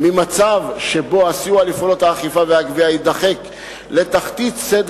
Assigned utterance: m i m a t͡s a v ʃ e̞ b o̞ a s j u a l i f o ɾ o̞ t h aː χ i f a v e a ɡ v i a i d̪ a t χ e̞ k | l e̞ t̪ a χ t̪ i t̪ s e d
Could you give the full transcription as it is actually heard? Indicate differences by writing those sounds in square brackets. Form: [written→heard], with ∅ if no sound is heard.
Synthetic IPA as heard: m i m a t͡s a v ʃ e̞ b o̞ a s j u a l i f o [ɾ→l] o̞ t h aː χ i f a v e a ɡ v i a i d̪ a [t→∅] χ e̞ k | l e̞ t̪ a χ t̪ i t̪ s e d